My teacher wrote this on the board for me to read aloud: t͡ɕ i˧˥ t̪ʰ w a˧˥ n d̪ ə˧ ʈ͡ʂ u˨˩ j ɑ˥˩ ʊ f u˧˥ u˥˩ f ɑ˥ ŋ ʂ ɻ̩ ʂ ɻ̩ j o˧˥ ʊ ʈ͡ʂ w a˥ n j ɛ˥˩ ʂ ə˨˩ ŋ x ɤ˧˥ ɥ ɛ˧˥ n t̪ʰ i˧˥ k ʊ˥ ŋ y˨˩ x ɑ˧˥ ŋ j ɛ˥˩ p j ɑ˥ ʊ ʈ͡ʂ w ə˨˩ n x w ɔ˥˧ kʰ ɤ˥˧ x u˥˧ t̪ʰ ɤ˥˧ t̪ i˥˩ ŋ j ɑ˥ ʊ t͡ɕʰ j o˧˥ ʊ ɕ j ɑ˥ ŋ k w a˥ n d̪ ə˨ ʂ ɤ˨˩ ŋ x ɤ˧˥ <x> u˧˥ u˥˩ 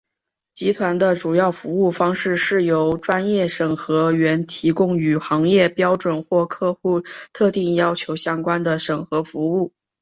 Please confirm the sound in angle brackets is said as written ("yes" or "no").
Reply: no